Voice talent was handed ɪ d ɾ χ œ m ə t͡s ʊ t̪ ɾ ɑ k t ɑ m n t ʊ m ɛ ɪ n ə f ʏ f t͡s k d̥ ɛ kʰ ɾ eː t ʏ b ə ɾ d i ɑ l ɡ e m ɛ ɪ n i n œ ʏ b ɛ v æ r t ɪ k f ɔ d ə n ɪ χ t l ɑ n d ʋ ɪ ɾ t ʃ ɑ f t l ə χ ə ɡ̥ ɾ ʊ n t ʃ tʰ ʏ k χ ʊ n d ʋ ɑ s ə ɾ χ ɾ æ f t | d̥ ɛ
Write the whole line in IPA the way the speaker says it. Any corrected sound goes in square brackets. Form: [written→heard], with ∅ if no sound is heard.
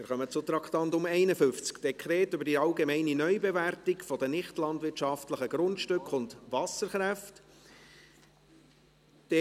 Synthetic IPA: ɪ [d→∅] ɾ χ œ m ə t͡s ʊ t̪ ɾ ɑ k t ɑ [m→∅] n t ʊ m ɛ ɪ n ə f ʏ f t͡s k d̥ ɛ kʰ ɾ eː t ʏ b ə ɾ d i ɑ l ɡ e m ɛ ɪ n i n œ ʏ b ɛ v æ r t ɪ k f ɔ d ə n ɪ χ t l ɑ n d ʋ ɪ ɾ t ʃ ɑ f t l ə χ ə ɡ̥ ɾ ʊ n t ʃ [tʰ→t] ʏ k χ ʊ n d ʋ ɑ s ə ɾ χ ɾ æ f t | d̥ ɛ

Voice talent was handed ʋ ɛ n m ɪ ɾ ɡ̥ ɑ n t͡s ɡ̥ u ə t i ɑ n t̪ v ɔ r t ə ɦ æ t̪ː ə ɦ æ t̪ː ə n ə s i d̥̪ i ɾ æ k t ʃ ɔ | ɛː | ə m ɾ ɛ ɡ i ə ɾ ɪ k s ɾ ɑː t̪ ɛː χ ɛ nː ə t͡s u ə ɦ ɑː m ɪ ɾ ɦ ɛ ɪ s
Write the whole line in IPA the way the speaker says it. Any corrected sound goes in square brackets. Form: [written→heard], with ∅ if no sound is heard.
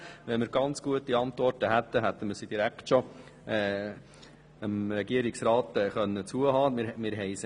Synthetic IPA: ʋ ɛ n m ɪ ɾ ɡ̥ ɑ n t͡s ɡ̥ u ə t i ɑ n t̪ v ɔ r t ə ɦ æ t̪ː ə ɦ æ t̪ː ə [n→m] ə s i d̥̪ i ɾ æ k t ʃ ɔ | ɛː | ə m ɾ ɛ ɡ i ə ɾ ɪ k s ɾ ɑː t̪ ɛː χ [ɛ→œ] nː ə t͡s u ə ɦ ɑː m ɪ ɾ ɦ ɛ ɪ s

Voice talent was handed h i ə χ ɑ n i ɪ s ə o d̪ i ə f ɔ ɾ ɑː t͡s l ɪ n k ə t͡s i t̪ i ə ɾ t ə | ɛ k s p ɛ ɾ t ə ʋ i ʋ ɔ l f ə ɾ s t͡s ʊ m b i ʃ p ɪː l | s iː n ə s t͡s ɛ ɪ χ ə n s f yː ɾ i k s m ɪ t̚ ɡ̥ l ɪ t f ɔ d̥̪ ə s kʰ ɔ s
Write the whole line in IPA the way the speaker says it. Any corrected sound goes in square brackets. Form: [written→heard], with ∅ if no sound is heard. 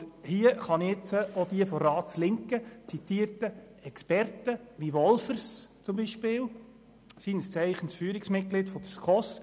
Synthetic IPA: h i ə χ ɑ n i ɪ [s→t͡s] ə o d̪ i ə f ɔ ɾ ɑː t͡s l ɪ [n→ŋ] k ə t͡s i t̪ i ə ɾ t ə | ɛ k s p ɛ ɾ t ə ʋ i ʋ ɔ l f ə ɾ s t͡s ʊ m b i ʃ p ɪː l | s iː n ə s t͡s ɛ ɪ χ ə n s f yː ɾ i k s m ɪ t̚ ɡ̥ l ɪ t f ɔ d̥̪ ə s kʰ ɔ s

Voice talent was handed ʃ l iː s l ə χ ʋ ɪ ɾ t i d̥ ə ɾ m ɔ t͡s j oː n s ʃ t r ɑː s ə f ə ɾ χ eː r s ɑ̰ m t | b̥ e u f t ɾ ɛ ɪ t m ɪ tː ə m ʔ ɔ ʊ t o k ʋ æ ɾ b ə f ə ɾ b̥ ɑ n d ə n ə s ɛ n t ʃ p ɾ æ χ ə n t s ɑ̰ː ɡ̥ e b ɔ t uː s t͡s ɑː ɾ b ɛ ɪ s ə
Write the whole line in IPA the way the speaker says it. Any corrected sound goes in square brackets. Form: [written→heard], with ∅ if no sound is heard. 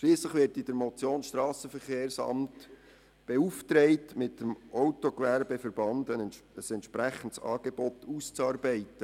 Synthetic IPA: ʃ l iː s l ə χ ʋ ɪ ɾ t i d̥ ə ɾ m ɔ t͡s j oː n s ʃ t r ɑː s ə f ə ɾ χ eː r s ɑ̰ m t | b̥ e u f t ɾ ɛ ɪ t m ɪ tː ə m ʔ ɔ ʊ t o k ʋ æ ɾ b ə f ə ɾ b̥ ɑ n d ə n ə s ɛ n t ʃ p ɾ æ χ ə n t s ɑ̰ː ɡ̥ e b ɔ t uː s t͡s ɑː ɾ b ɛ ɪ [s→t] ə

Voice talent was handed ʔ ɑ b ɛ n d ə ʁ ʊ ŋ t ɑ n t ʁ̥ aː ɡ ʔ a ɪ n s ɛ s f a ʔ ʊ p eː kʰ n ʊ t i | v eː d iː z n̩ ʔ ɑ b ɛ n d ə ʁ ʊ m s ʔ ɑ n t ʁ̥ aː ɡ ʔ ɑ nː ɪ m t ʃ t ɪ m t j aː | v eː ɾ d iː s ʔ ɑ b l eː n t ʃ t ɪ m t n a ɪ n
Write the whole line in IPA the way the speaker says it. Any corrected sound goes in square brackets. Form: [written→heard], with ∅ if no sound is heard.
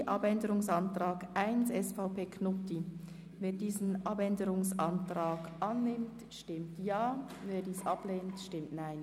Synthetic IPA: ʔ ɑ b ɛ n d ə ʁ ʊ ŋ [t→s] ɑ n t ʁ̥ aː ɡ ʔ a ɪ n s ɛ s f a [ʔ→∅] ʊ p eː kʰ n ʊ t i | v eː d iː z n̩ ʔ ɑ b ɛ n d ə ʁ ʊ [m→ŋ] s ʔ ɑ n t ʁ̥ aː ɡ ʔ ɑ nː ɪ m t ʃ t ɪ m t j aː | v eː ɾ d iː s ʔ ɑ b l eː n t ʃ t ɪ m t n a ɪ n

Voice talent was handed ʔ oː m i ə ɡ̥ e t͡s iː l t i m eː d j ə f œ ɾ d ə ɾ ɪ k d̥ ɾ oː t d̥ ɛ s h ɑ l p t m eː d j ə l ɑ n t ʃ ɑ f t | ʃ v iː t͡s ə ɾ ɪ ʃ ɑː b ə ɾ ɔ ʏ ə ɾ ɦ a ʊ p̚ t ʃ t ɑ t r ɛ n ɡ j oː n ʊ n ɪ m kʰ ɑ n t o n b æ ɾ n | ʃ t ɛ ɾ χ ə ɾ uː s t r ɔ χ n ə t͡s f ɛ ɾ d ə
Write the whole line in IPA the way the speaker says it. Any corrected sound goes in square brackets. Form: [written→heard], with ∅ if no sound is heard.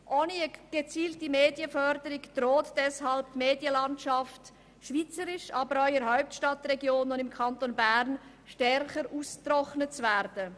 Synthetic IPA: ʔ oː [m→n] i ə ɡ̥ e t͡s iː l t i m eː d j ə f œ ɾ d ə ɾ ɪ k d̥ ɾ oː t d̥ ɛ s h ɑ l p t m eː d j ə l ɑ n t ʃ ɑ f t | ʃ v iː t͡s ə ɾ ɪ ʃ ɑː b ə ɾ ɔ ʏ ə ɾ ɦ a ʊ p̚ t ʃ t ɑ t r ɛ [n→∅] ɡ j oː n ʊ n ɪ m kʰ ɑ n t o n b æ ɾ n | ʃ t ɛ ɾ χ ə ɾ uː s t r ɔ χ n ə t͡s [f→v] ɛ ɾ d ə

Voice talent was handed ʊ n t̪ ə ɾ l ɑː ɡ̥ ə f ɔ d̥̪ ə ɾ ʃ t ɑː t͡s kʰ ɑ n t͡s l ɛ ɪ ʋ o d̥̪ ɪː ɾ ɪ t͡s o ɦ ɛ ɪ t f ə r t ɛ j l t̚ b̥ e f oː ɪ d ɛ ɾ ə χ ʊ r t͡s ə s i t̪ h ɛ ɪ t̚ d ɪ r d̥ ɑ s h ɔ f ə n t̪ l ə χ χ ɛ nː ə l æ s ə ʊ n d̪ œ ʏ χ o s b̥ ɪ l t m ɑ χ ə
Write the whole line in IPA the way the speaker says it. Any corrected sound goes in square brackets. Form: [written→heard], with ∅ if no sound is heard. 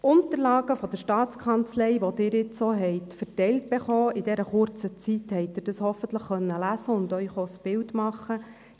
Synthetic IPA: ʊ n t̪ ə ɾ l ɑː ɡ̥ ə f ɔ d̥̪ ə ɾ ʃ t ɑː t͡s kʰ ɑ n t͡s l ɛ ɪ ʋ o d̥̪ ɪː ɾ ɪ t͡s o ɦ ɛ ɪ t f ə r t ɛ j l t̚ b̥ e [f→χ] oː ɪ d ɛ ɾ ə χ ʊ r t͡s ə [s→t͡s] i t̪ h ɛ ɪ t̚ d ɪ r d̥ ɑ s h ɔ f ə n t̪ l ə χ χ [ɛ→œ] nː ə l æ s ə ʊ n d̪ œ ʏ χ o s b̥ ɪ l t m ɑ χ ə

